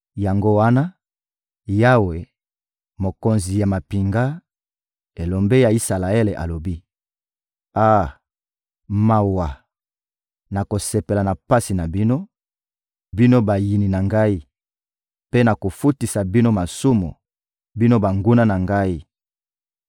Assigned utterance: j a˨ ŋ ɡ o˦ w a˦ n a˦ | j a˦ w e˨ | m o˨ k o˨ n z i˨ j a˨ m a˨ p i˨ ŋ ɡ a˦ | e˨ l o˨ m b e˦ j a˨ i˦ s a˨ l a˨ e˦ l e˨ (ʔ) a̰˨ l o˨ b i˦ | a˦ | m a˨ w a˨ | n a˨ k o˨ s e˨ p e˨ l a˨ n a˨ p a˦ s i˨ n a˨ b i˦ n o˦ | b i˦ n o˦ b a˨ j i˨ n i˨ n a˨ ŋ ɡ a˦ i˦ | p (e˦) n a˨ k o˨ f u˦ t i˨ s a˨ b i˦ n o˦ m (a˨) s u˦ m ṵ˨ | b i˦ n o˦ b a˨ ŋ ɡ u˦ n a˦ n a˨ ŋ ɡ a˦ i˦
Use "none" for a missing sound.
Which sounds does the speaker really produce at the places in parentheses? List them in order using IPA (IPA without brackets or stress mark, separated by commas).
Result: ʔ, e˦, a˨